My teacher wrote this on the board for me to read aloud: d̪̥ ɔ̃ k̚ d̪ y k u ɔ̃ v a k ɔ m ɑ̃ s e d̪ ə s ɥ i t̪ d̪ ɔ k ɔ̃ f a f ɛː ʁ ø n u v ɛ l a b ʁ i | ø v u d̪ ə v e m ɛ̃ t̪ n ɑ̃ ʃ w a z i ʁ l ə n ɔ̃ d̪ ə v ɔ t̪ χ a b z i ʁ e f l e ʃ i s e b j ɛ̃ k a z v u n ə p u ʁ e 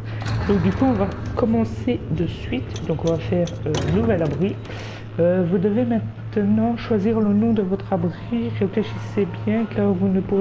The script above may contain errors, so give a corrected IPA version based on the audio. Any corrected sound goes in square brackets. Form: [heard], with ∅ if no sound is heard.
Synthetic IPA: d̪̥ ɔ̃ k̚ d̪ y k u ɔ̃ v a k ɔ m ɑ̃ s e d̪ ə s ɥ i t̪ d̪ [ɔ̃] k ɔ̃ [v] a f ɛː ʁ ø n u v ɛ l a b ʁ i | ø v u d̪ ə v e m ɛ̃ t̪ n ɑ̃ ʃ w a z i ʁ l ə n ɔ̃ d̪ ə v ɔ t̪ χ a b [ʁ] i ʁ e f l e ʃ i s e b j ɛ̃ k a [ʁ] v u n ə p u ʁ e